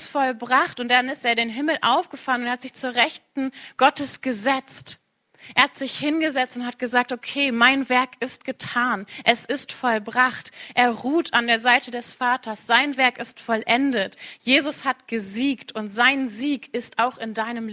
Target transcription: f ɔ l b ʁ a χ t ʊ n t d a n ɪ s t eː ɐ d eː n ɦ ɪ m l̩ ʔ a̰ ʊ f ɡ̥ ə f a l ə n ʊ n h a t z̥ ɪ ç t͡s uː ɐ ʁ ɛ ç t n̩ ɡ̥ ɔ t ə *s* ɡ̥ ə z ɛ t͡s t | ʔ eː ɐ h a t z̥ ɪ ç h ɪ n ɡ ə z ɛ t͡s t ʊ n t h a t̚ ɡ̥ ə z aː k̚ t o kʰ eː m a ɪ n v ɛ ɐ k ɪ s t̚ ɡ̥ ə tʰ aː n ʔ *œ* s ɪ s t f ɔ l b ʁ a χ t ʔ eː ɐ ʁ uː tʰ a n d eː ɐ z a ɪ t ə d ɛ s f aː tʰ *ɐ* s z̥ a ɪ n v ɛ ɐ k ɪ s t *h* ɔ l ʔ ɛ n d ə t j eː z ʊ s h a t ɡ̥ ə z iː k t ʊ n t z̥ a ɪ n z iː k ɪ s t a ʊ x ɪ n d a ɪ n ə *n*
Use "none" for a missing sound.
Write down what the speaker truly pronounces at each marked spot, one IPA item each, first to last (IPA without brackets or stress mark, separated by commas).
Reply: s, ɛ, ɐ, f, m